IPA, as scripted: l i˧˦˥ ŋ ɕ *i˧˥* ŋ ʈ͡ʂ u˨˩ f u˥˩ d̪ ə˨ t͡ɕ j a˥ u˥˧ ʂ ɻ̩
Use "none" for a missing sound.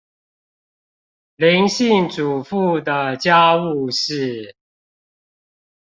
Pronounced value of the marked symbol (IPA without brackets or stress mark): i˥˩